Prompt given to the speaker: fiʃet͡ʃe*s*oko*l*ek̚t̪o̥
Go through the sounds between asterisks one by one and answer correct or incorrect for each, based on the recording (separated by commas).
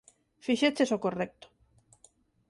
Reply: correct, incorrect